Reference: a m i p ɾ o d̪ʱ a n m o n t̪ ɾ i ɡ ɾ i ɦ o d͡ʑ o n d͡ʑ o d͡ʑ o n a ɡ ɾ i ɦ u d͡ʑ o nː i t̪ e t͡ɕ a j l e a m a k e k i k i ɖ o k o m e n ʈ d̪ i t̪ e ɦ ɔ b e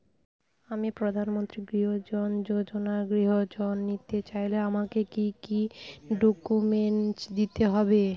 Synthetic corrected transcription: a m i p ɾ o d̪ʱ a n m o n t̪ ɾ i ɡ ɾ i ɦ o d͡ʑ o n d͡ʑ o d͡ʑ o n a ɡ ɾ i ɦ o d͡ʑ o nː i t̪ e t͡ɕ a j l e a m a k e k i k i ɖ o k u m e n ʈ d̪ i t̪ e ɦ ɔ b e